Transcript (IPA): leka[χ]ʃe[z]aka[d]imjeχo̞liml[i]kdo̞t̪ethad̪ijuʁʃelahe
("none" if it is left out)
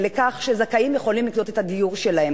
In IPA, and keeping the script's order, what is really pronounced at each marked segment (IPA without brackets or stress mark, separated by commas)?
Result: χ, z, none, i